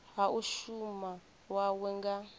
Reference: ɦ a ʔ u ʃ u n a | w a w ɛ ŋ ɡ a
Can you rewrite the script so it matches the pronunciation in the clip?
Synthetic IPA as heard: ɦ a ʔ u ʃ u m a | w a w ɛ ŋ ɡ a

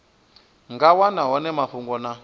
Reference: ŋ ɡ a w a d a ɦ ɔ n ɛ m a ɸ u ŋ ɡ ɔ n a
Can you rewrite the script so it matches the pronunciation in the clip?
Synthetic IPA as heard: ŋ ɡ a w a n a ɦ ɔ n ɛ m a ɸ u ŋ ɡ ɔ n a

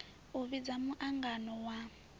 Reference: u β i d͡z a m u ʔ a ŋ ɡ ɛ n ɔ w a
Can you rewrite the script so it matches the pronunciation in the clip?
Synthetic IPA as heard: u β i d͡z a m u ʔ a ŋ ɡ a n ɔ w a

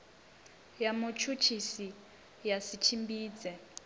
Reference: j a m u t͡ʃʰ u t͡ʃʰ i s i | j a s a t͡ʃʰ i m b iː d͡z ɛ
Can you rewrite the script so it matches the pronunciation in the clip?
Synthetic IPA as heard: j a m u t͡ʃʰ u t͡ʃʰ i s i | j a s i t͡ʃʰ i m b iː d͡z ɛ

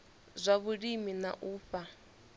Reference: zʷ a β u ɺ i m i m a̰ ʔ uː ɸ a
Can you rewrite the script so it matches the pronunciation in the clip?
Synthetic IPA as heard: zʷ a β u ɺ i m i n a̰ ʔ uː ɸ a

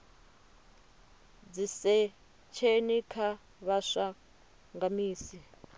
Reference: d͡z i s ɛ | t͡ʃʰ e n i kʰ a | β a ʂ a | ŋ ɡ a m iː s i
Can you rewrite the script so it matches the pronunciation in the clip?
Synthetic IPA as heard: d͡z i s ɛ | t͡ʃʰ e n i kʰ a | β a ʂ a | ŋ ɡ a m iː s i

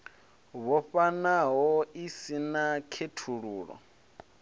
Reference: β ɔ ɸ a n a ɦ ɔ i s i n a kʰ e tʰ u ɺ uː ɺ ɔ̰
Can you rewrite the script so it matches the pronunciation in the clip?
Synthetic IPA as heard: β ɔ ɸ a n a ɦ ɔ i s i n a kʰ e tʰ u ɺ uː ɺ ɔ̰

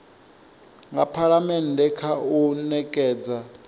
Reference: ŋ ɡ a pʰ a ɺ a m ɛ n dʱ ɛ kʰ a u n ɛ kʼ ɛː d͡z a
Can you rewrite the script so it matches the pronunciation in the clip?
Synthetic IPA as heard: ŋ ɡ a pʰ a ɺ a m ɛ n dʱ ɛ kʰ a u n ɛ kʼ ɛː d͡z a

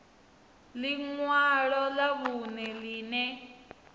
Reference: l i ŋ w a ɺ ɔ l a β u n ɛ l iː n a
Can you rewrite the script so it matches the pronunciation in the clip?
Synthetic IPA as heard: l i ŋ w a ɺ ɔ l a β u n ɛ l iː n ɛ

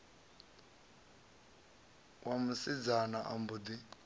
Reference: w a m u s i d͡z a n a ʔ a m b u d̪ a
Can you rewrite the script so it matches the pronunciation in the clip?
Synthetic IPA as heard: w a m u s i d͡z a n a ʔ a m b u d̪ i

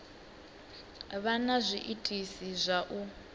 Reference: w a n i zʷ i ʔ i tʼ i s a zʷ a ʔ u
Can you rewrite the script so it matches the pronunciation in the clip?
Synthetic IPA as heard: β a n a zʷ i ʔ i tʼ i s i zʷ a ʔ u

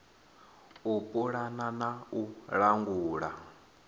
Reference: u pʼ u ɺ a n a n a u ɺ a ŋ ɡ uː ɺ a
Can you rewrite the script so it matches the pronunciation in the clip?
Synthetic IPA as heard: u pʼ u ɺ a n a n a u ɺ a ŋ ɡ uː ɺ a

